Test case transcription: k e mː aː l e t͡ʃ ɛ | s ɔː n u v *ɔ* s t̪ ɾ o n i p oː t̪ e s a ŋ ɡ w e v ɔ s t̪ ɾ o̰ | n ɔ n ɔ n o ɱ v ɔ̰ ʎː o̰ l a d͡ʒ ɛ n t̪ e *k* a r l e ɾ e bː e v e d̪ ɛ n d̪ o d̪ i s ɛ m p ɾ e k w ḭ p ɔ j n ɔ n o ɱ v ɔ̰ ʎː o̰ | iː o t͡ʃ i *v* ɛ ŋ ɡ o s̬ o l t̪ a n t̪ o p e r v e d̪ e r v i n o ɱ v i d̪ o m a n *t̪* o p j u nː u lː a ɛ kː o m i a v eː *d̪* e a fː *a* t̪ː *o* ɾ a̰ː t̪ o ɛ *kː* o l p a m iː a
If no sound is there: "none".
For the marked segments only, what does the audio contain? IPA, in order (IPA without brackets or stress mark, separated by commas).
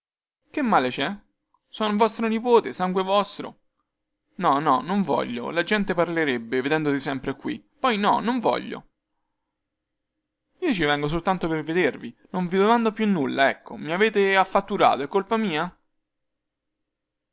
ɔ, p, v, d̪, t̪, a, u, kː